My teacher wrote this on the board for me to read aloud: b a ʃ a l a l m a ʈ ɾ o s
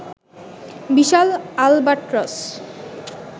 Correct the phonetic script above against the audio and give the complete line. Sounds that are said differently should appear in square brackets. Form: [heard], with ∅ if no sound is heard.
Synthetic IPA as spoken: b [i] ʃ a l a l [b] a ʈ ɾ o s